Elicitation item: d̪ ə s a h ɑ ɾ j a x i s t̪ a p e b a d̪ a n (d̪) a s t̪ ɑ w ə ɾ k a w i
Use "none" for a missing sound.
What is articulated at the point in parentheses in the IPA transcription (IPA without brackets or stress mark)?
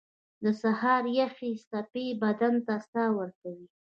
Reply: t̪